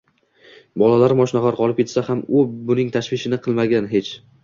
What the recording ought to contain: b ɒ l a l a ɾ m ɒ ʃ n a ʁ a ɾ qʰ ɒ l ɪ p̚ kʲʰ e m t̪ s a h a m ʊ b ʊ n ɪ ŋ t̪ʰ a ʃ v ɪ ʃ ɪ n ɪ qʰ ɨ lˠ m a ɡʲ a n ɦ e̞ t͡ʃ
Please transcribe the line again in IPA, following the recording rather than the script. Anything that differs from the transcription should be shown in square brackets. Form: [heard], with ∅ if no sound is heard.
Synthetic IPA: b ɒ l a l a ɾ m ɒ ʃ n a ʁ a ɾ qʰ ɒ l ɪ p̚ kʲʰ e [∅] t̪ s a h a m ʊ b ʊ n ɪ ŋ t̪ʰ a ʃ v ɪ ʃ ɪ n ɪ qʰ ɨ lˠ m a ɡʲ a n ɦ e̞ t͡ʃ